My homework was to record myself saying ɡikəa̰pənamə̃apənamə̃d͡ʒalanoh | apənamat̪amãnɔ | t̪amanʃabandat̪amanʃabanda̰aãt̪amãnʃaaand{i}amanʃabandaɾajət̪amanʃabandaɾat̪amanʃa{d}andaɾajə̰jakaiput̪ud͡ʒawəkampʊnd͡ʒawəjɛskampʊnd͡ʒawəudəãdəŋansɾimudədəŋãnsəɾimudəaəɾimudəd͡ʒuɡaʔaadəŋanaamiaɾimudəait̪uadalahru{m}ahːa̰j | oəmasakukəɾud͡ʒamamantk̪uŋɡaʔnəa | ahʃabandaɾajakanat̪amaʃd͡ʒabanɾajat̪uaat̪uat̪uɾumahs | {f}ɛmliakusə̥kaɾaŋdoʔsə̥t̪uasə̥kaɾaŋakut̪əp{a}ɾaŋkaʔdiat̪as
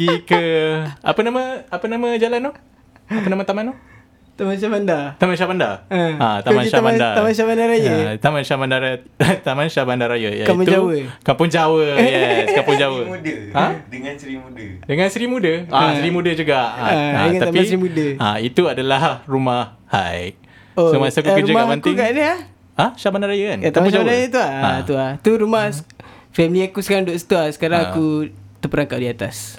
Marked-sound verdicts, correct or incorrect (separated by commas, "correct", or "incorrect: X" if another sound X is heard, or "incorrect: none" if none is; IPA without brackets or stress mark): incorrect: a, incorrect: b, correct, correct, incorrect: ə